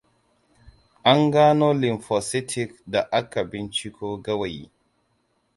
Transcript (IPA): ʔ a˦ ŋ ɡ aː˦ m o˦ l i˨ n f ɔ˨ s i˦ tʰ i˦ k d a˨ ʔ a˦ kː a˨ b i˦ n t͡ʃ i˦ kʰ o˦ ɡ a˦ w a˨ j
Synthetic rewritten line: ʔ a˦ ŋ ɡ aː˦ n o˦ l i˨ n f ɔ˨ s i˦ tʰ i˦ k d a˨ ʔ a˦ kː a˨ b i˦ n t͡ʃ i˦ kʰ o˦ ɡ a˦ w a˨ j